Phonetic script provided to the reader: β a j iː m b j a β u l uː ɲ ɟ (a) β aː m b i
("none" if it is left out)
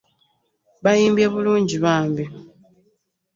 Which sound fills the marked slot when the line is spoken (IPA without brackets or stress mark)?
i